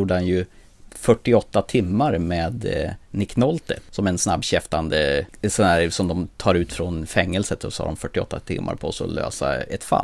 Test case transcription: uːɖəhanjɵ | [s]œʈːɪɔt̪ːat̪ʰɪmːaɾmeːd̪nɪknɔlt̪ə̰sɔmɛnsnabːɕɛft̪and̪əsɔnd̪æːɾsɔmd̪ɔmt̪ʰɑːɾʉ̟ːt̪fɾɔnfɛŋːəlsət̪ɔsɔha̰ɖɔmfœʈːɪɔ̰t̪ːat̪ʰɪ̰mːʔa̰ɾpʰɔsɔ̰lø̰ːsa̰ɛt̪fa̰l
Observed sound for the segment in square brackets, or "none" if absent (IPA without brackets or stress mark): f